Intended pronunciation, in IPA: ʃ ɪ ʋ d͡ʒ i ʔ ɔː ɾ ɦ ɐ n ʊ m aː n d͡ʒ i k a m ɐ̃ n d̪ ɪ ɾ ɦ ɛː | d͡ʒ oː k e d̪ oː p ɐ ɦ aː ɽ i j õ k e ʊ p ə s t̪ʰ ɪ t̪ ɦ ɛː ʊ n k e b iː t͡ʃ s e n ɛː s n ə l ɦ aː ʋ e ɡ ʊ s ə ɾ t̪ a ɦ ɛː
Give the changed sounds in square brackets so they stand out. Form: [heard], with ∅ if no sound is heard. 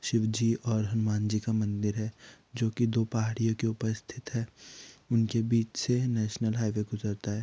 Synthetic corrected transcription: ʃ ɪ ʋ d͡ʒ i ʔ ɔː ɾ ɦ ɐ n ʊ m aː n d͡ʒ i k a m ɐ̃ n d̪ ɪ ɾ ɦ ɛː | d͡ʒ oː k [i] d̪ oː p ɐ ɦ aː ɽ i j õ k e ʊ p ə s t̪ʰ ɪ t̪ ɦ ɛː ʊ n k e b iː t͡ʃ s e n ɛː [ʃ] n ə l ɦ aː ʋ e ɡ ʊ [z] ə ɾ t̪ a ɦ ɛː